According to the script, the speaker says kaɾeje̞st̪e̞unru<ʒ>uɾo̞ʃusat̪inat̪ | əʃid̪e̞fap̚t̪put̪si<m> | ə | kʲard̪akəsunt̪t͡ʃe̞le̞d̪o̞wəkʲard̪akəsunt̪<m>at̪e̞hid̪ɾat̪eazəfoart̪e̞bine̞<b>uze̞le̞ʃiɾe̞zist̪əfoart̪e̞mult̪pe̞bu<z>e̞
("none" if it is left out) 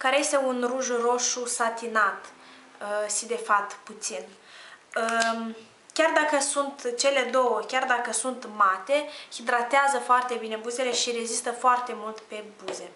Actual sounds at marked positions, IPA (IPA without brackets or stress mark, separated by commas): ʒ, n, m, b, z